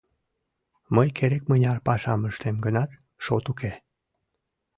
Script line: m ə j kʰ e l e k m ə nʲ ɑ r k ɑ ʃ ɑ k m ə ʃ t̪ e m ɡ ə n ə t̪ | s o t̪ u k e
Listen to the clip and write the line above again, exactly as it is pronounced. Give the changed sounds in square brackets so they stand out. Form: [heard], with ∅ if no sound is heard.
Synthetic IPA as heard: m ə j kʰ e [ɾ] e k m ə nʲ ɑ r [p] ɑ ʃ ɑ [∅] m ə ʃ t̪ e m ɡ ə n [ɑ] t̪ | [ʃ] o t̪ u k e